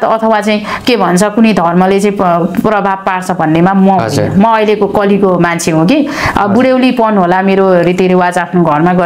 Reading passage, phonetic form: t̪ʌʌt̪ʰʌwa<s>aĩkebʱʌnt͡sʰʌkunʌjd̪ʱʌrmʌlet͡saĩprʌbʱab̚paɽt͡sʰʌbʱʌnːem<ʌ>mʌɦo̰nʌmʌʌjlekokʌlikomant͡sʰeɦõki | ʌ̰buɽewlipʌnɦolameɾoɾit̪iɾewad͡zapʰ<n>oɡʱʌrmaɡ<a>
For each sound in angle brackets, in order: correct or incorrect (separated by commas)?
incorrect, incorrect, correct, incorrect